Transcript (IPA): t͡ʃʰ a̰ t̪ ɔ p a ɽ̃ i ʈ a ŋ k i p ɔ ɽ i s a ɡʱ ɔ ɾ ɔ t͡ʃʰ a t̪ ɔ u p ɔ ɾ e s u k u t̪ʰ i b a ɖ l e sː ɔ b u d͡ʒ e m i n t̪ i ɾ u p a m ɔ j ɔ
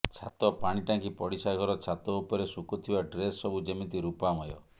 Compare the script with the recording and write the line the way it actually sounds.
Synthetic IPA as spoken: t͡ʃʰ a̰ t̪ ɔ p a ɽ̃ i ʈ a ŋ k i p ɔ ɽ i s a ɡʱ ɔ ɾ ɔ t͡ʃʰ a t̪ ɔ u p ɔ ɾ e s u k u t̪ʰ i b a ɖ ɾ e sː ɔ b u d͡ʒ e m i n t̪ i ɾ u p a m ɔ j ɔ